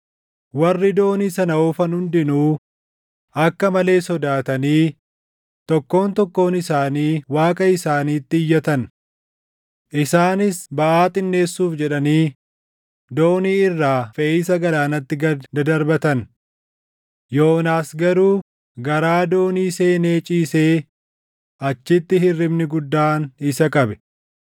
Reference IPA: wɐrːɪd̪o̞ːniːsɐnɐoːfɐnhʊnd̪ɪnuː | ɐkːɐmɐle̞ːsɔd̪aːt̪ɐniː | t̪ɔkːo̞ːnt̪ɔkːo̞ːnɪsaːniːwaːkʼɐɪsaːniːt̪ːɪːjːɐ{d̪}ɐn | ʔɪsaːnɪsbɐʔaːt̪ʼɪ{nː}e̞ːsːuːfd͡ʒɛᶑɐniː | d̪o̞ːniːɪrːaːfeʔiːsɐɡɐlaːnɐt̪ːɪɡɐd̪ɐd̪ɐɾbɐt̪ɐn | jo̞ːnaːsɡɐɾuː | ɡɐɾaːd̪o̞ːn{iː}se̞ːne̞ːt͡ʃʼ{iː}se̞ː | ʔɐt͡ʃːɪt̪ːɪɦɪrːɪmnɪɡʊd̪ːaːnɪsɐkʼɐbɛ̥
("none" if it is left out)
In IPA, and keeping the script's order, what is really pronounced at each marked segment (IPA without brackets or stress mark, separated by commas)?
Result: t̪, nː, iː, iː